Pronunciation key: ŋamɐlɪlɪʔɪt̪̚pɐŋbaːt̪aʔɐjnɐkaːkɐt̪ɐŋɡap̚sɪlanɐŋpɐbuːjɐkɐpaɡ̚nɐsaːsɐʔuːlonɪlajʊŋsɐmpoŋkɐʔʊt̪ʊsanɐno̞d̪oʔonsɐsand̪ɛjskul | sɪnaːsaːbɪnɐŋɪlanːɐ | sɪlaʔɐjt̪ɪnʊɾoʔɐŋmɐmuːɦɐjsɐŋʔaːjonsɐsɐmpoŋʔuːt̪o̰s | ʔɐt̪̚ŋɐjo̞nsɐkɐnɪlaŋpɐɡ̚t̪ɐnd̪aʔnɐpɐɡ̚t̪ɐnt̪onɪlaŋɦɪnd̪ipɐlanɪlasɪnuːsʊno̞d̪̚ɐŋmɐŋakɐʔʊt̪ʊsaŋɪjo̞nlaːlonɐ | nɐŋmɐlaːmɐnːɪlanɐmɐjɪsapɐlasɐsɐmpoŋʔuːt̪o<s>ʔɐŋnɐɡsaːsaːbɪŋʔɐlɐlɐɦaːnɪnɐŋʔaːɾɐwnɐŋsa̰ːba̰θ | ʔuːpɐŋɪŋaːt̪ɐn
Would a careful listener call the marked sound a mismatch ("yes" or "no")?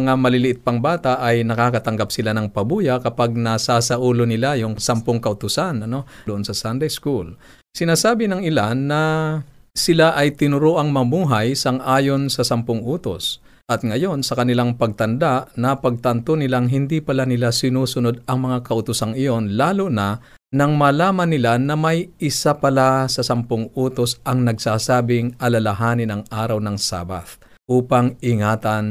no